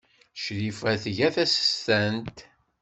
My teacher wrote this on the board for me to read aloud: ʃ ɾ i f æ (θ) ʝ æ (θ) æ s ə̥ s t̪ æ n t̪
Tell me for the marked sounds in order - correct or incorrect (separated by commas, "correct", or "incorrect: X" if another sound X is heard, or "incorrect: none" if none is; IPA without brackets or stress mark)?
correct, correct